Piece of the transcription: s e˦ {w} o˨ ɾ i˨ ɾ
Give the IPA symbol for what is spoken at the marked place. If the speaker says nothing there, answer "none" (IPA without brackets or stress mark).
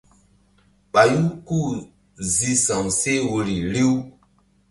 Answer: w